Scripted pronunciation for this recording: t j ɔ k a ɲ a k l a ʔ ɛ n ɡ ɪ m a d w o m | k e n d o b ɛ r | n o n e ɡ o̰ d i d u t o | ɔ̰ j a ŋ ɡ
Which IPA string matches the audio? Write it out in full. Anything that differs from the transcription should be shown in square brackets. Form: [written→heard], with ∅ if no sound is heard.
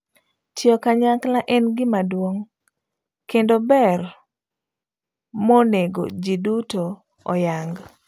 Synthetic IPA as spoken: t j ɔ k a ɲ a k l a ʔ ɛ n ɡ ɪ m a d w o [m→ŋ] | k e n d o b ɛ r | [n→m] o n e ɡ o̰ [d→d͡ʒ] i d u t o | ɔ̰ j a ŋ ɡ